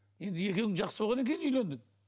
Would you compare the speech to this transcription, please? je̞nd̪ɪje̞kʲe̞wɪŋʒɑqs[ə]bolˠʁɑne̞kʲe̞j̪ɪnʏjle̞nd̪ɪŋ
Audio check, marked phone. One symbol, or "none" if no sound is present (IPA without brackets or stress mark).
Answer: ə